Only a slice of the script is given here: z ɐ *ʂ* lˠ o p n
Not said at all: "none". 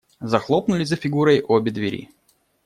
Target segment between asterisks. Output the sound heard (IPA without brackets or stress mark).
x